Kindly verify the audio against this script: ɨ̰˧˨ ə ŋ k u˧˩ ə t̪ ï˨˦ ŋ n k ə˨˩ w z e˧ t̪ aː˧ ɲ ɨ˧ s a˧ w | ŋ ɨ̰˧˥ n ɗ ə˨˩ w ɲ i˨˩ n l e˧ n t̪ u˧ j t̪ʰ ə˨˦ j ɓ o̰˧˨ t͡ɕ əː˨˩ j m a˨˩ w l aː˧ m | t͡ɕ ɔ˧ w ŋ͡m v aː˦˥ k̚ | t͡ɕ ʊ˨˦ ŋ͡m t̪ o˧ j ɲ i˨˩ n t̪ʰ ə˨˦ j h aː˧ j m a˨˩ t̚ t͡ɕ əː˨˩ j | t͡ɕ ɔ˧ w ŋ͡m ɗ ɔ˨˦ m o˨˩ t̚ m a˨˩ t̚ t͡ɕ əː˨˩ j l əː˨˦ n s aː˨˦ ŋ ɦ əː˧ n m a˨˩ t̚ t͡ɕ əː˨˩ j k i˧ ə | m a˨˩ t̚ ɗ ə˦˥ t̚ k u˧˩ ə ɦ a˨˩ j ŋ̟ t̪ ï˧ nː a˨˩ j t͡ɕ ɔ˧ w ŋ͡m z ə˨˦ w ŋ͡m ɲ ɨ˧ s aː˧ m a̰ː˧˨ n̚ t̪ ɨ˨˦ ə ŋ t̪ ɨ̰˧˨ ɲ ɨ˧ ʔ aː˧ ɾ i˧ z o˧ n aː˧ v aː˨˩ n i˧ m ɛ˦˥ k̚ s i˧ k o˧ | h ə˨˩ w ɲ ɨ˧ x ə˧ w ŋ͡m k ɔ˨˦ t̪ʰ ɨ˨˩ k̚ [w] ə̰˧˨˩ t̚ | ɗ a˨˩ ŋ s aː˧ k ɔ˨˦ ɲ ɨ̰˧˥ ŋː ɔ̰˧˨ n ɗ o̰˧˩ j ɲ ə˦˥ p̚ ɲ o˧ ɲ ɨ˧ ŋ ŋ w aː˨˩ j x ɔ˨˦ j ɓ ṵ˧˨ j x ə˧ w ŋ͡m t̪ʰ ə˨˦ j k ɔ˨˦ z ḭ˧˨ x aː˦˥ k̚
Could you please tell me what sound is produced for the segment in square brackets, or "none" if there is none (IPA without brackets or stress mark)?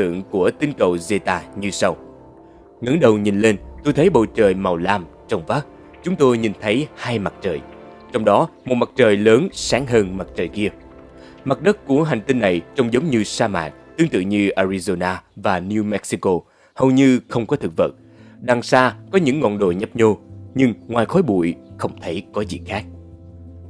v